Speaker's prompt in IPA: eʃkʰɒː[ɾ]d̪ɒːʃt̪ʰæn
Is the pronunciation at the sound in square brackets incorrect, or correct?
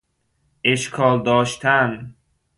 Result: incorrect